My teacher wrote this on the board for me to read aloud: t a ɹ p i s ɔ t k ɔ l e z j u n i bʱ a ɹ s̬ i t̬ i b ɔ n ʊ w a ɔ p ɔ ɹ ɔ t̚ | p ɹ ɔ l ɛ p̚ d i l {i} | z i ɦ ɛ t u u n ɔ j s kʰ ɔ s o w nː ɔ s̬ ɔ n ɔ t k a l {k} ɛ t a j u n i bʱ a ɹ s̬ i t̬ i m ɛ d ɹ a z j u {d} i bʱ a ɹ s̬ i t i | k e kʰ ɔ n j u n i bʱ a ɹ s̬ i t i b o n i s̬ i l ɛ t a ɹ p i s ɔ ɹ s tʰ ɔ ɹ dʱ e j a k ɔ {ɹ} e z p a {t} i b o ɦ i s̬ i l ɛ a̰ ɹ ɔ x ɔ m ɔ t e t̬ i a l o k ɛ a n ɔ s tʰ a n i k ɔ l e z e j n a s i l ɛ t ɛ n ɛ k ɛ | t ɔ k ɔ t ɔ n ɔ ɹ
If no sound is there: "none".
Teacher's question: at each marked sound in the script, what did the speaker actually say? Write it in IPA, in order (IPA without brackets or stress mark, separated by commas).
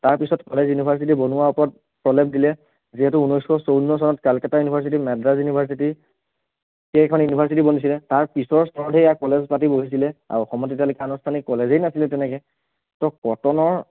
ɛ, k, n, l, t